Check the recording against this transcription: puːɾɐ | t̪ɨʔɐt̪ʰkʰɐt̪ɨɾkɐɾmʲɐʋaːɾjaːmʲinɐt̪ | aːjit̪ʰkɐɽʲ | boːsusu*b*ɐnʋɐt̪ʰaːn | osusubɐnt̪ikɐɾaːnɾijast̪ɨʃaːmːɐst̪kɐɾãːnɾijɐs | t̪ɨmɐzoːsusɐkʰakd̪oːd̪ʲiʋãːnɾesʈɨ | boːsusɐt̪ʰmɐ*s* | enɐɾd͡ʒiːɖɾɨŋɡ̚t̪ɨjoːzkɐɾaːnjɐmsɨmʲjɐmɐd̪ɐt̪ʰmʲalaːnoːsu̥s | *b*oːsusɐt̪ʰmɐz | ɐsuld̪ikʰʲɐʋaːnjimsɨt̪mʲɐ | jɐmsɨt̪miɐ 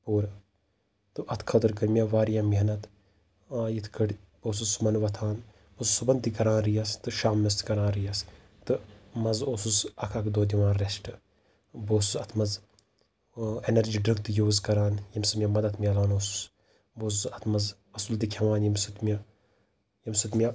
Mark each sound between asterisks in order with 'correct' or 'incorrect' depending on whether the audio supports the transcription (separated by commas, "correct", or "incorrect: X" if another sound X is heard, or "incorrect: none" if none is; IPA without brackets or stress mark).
incorrect: m, incorrect: z, correct